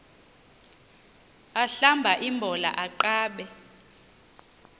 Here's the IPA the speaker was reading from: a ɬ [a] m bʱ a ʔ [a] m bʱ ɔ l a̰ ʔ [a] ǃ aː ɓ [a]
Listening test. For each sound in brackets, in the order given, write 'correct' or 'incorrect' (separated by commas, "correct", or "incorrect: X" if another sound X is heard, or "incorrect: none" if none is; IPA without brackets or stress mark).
correct, incorrect: i, correct, incorrect: ɛ